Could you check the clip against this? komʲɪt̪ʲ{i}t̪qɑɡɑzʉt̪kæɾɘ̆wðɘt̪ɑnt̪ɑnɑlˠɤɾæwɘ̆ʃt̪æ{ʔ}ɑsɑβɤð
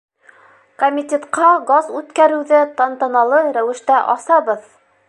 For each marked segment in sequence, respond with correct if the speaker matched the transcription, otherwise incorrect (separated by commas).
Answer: incorrect, correct